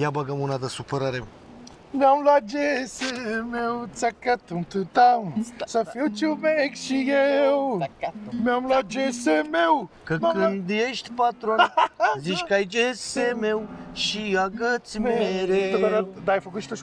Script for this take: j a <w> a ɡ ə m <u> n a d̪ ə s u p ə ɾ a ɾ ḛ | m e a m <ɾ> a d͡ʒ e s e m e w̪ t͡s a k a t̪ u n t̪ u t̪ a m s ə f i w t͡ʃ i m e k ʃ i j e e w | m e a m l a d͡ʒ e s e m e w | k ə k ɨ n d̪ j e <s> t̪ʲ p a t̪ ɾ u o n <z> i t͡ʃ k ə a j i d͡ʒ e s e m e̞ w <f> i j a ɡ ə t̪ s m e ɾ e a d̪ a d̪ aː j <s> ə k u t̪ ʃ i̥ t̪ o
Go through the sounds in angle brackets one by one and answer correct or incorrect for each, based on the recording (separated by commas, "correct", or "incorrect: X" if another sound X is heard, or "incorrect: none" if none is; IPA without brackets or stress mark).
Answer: incorrect: b, correct, incorrect: l, incorrect: ʃ, correct, incorrect: ʃ, incorrect: f